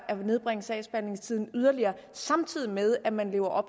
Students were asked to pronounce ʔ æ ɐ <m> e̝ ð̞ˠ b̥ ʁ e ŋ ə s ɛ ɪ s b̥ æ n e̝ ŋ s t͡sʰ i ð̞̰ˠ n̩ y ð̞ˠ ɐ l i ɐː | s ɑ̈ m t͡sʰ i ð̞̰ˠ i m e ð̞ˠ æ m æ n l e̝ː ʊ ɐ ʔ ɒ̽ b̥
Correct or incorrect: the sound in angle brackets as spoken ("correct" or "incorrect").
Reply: incorrect